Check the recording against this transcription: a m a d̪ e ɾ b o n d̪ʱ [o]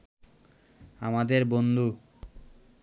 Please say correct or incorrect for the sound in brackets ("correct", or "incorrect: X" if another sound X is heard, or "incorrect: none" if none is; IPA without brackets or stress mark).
incorrect: u